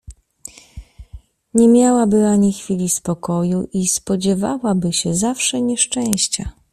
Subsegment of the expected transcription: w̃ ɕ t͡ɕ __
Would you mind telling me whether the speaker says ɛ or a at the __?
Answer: a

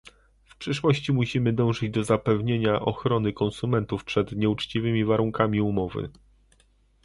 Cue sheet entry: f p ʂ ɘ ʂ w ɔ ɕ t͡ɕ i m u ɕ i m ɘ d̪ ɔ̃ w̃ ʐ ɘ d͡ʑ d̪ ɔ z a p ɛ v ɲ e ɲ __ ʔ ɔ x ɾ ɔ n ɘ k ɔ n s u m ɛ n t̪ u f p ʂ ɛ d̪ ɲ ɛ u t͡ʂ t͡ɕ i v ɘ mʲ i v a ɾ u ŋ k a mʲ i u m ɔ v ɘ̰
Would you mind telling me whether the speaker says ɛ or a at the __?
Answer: a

